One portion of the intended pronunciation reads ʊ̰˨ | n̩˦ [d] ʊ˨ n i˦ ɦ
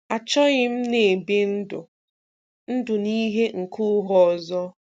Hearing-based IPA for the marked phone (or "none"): d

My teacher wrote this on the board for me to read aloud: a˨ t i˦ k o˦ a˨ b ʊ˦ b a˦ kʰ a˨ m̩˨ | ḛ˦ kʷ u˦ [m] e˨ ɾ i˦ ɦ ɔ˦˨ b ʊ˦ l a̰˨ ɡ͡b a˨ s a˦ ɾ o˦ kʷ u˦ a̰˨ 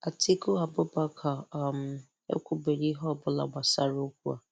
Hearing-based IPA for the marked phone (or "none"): b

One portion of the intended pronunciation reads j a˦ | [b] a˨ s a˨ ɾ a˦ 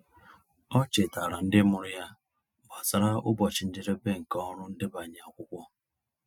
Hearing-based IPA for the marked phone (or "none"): b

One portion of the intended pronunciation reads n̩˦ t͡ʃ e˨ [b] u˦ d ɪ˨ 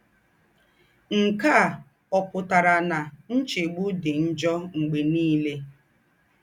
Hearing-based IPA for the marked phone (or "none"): ɡ͡b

